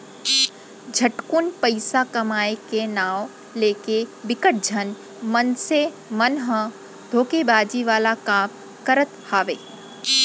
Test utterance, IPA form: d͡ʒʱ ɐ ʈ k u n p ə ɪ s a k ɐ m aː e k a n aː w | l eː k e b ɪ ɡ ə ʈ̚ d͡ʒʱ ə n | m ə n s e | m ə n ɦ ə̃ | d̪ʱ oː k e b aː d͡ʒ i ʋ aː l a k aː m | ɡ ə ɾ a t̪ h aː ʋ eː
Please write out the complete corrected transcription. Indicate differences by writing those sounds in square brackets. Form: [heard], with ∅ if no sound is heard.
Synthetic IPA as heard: d͡ʒʱ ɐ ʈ k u n p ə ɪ s a k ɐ m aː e k [e] n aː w | l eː k e b ɪ [k] ə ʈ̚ d͡ʒʱ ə n | m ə n s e | m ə n ɦ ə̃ | d̪ʱ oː k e b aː d͡ʒ i ʋ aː l a k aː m | [k] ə ɾ [ə] t̪ h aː ʋ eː